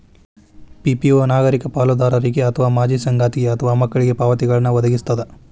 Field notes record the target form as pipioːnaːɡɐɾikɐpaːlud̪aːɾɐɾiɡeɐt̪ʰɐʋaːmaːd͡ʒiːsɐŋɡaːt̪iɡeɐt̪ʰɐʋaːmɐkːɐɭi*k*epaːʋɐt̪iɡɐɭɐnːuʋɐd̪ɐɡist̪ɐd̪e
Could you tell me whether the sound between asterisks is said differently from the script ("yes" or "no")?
yes